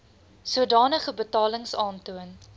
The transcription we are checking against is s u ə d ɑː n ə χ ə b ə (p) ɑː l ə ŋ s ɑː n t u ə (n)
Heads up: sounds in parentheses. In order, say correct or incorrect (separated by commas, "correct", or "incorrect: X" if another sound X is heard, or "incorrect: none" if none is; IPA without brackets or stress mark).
incorrect: t, correct